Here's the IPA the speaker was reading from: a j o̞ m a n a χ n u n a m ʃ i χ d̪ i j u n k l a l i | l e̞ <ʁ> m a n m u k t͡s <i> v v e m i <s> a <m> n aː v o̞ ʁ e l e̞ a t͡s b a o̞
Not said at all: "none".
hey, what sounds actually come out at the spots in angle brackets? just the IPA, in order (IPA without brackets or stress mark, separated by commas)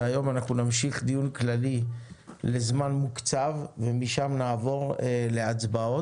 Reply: z, a, ʃ, m